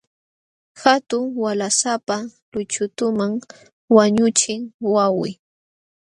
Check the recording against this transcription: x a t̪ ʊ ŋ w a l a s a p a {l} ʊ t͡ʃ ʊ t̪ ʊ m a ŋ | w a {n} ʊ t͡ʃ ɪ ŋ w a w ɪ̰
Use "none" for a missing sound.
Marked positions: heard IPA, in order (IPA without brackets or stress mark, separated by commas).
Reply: l, ɲ